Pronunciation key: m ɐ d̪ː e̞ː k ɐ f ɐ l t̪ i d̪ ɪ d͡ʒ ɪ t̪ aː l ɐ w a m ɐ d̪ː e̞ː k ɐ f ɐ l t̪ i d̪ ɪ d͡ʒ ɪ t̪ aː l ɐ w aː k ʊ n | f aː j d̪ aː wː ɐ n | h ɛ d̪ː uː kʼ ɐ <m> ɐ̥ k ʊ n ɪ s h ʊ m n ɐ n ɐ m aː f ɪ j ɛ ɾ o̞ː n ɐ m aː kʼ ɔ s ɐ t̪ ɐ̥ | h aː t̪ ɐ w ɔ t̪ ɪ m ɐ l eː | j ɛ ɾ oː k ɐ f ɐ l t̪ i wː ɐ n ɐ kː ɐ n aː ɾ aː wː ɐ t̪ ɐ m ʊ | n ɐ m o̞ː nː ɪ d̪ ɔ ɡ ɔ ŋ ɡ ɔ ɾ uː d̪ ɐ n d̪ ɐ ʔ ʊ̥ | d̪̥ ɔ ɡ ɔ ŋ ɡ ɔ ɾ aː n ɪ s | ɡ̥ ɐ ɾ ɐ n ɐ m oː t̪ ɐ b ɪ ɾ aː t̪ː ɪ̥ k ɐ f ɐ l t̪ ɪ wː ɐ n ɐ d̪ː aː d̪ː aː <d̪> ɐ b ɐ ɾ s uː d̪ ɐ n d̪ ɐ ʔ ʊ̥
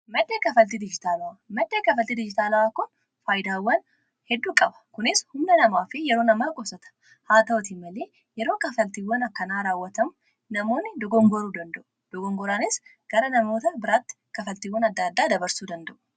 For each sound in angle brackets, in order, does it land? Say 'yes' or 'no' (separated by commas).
no, yes